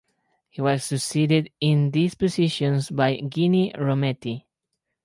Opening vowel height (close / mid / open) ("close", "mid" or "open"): close